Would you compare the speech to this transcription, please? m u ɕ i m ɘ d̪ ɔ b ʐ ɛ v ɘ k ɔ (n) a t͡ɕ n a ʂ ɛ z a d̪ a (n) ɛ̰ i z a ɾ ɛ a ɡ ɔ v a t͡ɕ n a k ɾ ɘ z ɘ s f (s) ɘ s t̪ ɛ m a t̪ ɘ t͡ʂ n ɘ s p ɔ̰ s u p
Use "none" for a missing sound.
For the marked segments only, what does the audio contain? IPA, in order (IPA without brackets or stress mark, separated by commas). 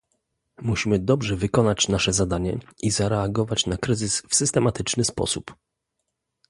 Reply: n, ɲ, s